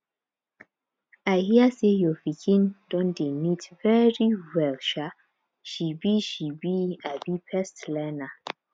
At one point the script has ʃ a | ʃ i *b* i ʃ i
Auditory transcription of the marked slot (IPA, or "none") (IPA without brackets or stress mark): b